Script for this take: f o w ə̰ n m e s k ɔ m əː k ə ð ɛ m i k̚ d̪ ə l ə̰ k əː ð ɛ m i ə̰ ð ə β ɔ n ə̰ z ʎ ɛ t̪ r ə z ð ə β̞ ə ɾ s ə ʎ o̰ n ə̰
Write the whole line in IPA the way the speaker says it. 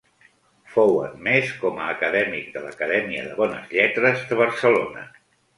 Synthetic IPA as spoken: f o w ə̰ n m e s k ɔ m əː k ə ð ɛ m i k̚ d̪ ə l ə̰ k ə ð ɛ m i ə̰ ð ə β ɔ n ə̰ z ʎ ɛ t̪ ɾ ə z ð ə β̞ ə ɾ s ə l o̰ n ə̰